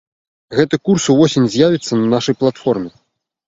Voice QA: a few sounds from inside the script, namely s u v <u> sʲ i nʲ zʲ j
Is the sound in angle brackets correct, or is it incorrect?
incorrect